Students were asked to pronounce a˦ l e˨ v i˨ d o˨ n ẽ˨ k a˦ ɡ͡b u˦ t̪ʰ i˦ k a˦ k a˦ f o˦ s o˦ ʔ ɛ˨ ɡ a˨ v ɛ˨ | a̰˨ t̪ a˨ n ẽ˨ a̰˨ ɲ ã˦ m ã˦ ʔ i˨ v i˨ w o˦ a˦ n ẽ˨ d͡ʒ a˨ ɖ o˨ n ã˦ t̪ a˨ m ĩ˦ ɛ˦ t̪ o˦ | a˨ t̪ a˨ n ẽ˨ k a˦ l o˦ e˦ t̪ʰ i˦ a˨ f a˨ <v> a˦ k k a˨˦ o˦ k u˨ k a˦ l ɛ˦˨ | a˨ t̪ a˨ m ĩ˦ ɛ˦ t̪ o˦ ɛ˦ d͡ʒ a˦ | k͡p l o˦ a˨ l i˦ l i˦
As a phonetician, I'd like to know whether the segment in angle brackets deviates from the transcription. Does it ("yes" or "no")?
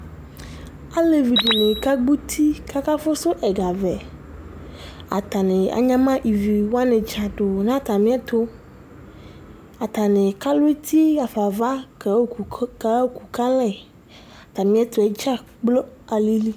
no